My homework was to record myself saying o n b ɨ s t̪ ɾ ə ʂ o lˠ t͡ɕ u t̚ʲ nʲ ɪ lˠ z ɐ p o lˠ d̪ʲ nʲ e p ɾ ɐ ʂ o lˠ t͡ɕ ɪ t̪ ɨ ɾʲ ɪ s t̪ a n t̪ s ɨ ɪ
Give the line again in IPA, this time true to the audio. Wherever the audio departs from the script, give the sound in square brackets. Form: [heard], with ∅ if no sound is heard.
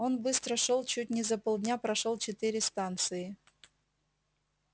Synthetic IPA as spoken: o n b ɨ s t̪ ɾ ə ʂ o lˠ t͡ɕ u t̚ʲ nʲ ɪ [∅] z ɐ p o lˠ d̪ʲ nʲ [a] p ɾ ɐ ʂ o lˠ t͡ɕ ɪ t̪ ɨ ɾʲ ɪ s t̪ a n t̪ s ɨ ɪ